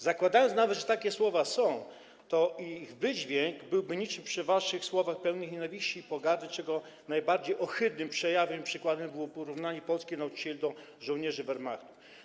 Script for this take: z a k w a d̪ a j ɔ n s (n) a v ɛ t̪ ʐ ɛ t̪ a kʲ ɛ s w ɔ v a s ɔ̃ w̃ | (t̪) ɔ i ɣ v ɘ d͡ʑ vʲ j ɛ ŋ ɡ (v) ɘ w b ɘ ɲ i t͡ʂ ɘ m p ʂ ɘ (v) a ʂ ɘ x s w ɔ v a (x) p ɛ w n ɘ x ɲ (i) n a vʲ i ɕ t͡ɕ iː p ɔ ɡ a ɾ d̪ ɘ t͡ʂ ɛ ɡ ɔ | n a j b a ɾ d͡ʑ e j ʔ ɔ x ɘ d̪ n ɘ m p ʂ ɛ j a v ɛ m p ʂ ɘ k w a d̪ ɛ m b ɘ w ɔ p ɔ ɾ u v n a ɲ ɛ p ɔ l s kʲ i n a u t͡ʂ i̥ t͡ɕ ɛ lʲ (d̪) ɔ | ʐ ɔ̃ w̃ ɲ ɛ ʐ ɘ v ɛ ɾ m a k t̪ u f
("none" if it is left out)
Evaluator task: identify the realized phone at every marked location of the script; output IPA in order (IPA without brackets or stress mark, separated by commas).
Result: n, t̪, b, v, x, ɛ, d̪